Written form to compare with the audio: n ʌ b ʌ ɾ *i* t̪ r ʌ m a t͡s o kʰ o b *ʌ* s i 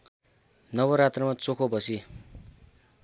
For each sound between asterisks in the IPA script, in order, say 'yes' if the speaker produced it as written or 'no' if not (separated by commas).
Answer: no, yes